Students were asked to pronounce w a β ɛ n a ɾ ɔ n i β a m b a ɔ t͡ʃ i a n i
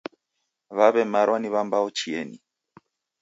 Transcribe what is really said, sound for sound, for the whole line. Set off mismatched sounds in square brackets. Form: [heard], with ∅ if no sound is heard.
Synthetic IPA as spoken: [β] a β ɛ [m] a ɾ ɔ n i β a m b a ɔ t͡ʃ i [ɛ] n i